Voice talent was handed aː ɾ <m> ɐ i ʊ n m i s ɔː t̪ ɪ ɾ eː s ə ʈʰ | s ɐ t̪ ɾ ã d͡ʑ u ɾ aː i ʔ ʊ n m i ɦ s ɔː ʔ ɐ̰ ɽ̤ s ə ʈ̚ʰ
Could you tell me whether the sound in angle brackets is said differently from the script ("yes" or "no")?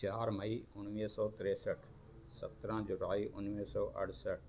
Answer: no